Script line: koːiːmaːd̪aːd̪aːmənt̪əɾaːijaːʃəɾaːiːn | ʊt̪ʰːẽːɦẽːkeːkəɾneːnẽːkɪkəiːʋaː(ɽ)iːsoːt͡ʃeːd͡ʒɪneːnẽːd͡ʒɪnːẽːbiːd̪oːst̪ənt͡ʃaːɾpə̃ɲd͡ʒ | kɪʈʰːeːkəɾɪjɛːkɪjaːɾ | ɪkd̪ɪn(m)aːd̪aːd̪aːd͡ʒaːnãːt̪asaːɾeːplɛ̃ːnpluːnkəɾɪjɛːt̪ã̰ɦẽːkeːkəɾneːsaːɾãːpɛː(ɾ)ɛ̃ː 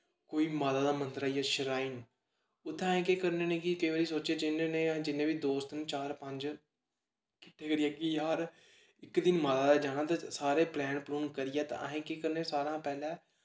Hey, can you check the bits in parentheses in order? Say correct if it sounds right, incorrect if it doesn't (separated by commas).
incorrect, correct, incorrect